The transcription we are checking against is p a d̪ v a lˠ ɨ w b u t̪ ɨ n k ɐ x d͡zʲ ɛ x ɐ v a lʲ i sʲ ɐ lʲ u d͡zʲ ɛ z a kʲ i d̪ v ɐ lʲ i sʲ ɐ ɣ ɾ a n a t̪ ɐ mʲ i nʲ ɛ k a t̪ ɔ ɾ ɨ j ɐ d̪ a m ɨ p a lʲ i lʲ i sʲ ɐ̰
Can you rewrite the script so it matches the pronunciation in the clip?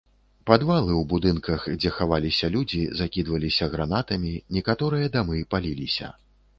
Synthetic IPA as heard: p a d̪ v a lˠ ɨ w b u d̪ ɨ n k ɐ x d͡zʲ ɛ x a v a lʲ i sʲ ɐ lʲ u d͡zʲ i z a kʲ i d̪ v ɐ lʲ i sʲ ɐ ɣ ɾ a n a t̪ ɐ mʲ i nʲ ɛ k a t̪ ɔ ɾ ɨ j ɐ d̪ a m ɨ p a lʲ i lʲ i sʲ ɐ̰